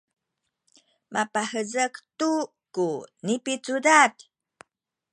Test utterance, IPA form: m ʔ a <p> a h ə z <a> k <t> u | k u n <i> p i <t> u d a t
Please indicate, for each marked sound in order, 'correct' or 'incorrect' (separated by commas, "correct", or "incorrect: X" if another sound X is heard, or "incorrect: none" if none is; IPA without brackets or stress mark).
correct, incorrect: ə, correct, correct, incorrect: t͡s